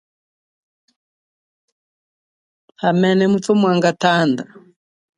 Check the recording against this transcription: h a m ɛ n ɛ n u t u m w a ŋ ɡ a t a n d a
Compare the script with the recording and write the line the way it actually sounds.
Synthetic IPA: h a m ɛ n ɛ m u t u m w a ŋ ɡ a t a n d a